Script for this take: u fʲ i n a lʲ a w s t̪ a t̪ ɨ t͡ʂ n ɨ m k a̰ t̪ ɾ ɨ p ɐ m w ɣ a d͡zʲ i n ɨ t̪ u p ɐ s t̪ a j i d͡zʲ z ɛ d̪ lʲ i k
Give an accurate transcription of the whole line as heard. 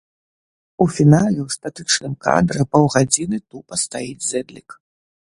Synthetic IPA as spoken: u fʲ i n a lʲ ɛ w s t̪ a t̪ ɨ t͡ʂ n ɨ m k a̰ d̪ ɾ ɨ p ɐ w ɣ a d͡zʲ i n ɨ t̪ u p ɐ s t̪ a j i d͡zʲ z ɛ d̪ lʲ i k